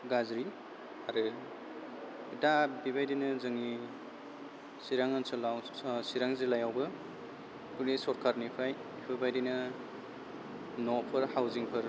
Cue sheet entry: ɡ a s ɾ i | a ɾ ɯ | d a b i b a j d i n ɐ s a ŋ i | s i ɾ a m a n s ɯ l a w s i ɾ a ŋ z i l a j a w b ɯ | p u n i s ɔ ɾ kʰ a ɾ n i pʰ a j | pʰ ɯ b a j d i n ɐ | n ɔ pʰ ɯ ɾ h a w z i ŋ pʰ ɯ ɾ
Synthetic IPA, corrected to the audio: ɡ a z ɾ i | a ɾ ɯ | d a b i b a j d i n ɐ z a ŋ i | s i ɾ a ŋ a n s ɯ l a w s i ɾ a ŋ z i l a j a w b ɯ | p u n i s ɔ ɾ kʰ a ɾ n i pʰ a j | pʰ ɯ b a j d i n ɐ | n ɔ pʰ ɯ ɾ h a w z i ŋ pʰ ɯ ɾ

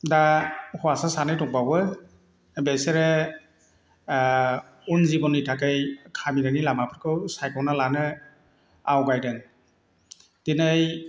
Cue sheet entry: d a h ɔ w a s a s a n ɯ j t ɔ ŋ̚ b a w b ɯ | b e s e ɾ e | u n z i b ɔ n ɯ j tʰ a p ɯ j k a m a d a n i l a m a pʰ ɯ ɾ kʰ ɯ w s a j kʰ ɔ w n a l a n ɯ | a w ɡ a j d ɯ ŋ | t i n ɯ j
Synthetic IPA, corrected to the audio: d a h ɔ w a s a s a n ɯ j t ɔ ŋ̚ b a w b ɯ | b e s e ɾ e | u n z i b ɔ n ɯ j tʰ a k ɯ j kʰ a m i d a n i l a m a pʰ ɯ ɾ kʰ ɯ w s a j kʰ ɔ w n a l a n ɯ | a w ɡ a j d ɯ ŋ | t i n ɯ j

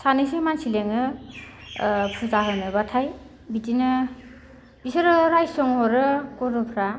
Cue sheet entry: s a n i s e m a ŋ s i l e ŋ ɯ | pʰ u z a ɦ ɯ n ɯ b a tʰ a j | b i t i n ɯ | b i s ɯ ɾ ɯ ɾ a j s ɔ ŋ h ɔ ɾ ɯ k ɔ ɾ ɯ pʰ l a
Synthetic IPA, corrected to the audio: s a n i s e m a n s i l e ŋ ɯ | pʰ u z a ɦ ɯ n ɯ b a tʰ a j | b i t i n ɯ | b i s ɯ ɾ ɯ ɾ a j s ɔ ŋ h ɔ ɾ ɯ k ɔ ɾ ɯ pʰ ɾ a

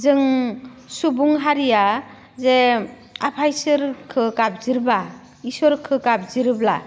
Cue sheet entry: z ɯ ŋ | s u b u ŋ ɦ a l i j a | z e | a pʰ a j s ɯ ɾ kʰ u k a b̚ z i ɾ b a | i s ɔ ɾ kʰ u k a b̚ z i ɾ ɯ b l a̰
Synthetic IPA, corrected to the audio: z ɯ ŋ | s u b u ŋ ɦ a ɾ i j a | z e | a pʰ a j s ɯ ɾ kʰ ɯ k a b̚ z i ɾ b a | i s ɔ ɾ kʰ ɯ k a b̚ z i ɾ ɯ b l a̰

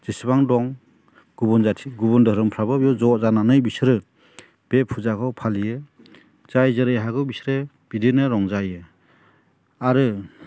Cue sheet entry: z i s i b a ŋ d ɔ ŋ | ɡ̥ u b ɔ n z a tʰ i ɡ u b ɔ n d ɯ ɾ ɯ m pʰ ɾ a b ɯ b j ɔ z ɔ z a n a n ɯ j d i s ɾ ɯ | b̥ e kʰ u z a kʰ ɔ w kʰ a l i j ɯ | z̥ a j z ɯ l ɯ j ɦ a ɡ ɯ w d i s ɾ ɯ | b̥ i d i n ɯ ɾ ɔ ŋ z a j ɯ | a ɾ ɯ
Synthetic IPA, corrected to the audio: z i s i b a ŋ d ɔ ŋ | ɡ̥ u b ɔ n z a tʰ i ɡ u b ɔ n d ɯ ɾ ɯ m pʰ ɾ a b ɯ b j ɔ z ɔ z a n a n ɯ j b i s ɾ ɯ | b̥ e pʰ u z a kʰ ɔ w pʰ a l i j ɯ | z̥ a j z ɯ ɾ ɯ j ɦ a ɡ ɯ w b i s ɾ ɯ | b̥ i d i n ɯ ɾ ɔ ŋ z a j ɯ | a ɾ ɯ

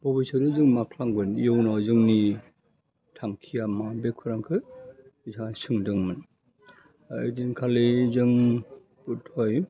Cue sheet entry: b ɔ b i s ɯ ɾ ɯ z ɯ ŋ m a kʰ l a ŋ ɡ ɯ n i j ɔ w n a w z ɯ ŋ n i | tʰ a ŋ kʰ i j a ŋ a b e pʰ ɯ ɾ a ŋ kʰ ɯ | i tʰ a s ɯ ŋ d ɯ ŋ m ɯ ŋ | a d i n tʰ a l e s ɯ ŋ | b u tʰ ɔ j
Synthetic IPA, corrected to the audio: b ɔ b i s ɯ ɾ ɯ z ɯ ŋ m a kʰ l a ŋ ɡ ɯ n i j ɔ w n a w z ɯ ŋ n i | tʰ a ŋ kʰ i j a m a b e kʰ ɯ ɾ a ŋ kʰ ɯ | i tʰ a s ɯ ŋ d ɯ ŋ m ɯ n | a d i n kʰ a l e z ɯ ŋ | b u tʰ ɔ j

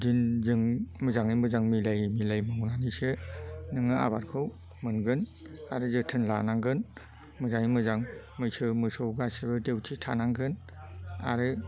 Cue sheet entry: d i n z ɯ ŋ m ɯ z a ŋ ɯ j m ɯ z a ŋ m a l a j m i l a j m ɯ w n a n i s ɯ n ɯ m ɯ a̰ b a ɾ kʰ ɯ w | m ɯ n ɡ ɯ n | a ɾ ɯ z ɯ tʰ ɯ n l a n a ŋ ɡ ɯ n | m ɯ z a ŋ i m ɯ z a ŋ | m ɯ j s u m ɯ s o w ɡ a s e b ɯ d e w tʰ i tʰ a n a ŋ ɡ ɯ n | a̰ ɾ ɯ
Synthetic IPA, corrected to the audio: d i n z ɯ ŋ m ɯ z a ŋ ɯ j m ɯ z a ŋ m i l a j m i l a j m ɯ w n a n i s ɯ n ɯ ŋ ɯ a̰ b a ɾ kʰ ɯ w | m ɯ n ɡ ɯ n | a ɾ ɯ z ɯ tʰ ɯ n l a n a ŋ ɡ ɯ n | m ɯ z a ŋ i m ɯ z a ŋ | m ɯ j s ɯ m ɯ s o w ɡ a s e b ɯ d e w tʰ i tʰ a n a ŋ ɡ ɯ n | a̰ ɾ ɯ

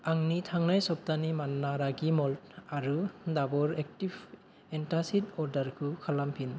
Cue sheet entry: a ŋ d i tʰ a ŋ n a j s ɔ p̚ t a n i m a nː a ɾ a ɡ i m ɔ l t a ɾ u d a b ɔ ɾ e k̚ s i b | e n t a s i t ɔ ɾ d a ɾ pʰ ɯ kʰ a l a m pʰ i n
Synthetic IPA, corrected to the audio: a ŋ n i tʰ a ŋ n a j s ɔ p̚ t a n i m a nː a ɾ a ɡ i m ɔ l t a ɾ u d a b ɔ ɾ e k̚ t i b | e n t a s i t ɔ ɾ d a ɾ kʰ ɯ kʰ a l a m pʰ i n

